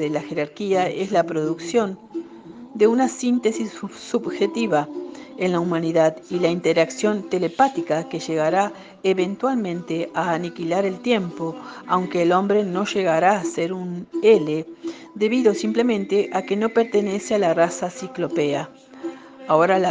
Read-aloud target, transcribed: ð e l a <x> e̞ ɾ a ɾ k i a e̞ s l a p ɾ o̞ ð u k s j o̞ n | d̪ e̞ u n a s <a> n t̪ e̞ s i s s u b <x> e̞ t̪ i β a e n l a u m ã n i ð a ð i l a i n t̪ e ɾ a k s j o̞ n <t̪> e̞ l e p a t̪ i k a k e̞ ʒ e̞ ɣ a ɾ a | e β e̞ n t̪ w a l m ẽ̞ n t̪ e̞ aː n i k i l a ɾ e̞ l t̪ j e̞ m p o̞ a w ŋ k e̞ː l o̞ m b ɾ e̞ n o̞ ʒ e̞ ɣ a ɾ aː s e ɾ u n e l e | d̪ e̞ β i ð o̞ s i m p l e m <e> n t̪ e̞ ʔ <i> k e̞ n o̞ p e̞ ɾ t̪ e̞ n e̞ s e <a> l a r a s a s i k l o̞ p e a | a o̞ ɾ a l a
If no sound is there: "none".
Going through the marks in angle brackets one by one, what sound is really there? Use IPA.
x, i, x, t̪, ẽ, a, a

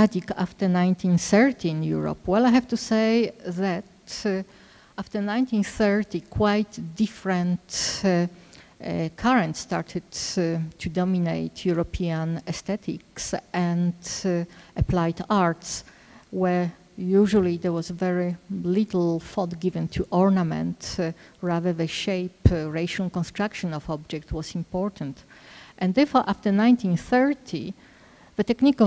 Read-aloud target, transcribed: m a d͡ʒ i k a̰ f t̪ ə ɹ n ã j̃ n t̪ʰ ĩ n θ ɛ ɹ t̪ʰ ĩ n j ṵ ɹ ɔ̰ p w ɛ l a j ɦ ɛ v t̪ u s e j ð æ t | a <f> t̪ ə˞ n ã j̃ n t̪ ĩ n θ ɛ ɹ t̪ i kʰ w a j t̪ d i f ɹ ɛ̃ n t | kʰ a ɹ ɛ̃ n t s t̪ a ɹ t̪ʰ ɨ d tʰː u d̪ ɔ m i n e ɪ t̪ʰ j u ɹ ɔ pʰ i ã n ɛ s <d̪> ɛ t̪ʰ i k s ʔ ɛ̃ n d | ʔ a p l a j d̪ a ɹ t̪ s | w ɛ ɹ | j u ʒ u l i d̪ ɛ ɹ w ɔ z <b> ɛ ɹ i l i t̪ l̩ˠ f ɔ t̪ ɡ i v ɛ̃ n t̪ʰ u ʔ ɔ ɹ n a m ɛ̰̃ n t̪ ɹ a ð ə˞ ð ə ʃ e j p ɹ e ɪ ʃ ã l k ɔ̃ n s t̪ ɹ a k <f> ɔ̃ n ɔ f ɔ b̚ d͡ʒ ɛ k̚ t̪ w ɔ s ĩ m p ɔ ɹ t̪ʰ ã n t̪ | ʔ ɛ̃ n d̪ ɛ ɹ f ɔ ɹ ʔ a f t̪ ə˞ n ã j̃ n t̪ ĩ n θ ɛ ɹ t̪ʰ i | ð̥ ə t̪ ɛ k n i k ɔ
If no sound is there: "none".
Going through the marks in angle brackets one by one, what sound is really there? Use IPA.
f, t̪, v, ʃ

